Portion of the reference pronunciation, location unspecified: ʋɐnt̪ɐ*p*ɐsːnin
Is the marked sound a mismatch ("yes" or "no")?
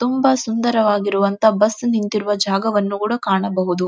yes